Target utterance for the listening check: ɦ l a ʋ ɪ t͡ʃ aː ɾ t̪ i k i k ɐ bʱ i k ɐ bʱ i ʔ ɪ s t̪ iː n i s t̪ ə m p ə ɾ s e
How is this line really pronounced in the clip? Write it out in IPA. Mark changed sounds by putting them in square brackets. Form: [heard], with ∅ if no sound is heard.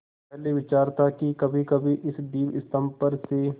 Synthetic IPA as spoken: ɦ l [e] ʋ ɪ t͡ʃ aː ɾ t̪ [a] k i k ɐ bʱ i k ɐ bʱ i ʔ ɪ s [d̪] iː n [ɪ] s t̪ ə m p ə ɾ s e